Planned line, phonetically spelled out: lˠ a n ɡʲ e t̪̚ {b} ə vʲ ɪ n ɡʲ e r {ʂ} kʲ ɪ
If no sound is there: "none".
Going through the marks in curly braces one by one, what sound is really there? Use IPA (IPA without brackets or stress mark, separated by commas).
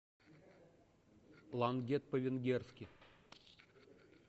p, s